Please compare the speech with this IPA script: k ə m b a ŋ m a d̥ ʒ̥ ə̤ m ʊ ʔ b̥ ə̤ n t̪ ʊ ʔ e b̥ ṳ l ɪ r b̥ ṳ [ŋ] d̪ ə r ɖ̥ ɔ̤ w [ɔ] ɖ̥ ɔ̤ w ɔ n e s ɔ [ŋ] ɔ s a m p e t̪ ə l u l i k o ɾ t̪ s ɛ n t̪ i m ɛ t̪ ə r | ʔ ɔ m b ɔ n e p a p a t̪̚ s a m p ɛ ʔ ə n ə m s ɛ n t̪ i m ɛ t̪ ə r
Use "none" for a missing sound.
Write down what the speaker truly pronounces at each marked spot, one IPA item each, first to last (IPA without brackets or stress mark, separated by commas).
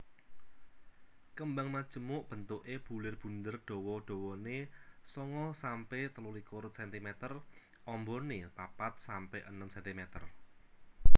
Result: n, ɔ, ŋ